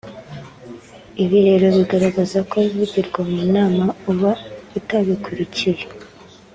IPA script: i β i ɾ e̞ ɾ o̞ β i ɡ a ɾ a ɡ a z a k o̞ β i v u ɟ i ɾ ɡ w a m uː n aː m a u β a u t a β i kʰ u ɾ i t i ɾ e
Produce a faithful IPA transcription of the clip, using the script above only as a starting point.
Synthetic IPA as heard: i β i ɾ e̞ ɾ o̞ β i ɡ a ɾ a ɡ a z a k o̞ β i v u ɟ i ɾ ɡ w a m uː n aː m a u β a u t a β i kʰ u ɾ i c i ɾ e